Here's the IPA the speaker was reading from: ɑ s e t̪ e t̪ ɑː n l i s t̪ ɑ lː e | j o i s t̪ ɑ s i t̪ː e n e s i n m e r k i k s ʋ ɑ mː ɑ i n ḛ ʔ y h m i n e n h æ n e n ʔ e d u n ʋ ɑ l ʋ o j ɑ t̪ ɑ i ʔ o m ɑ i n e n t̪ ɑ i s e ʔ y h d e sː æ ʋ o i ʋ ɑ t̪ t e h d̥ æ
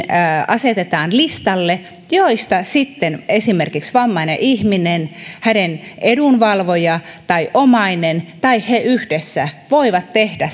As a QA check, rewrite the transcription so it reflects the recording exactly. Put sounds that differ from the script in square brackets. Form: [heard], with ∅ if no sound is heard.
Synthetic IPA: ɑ s e t̪ e t̪ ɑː n l i s t̪ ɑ lː e | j o i s t̪ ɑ s i t̪ː e n e s i [∅] m e r k i k s ʋ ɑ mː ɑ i n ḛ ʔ [i] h m i n e n h æ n e n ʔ e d u n ʋ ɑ l ʋ o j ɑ t̪ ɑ i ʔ o m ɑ i n e n t̪ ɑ i [h] e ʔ y h d e sː æ ʋ o i ʋ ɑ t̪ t e h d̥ æ